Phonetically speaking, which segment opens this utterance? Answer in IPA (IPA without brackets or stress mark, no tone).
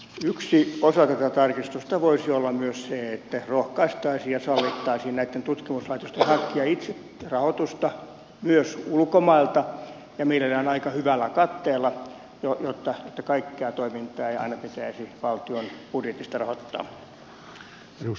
y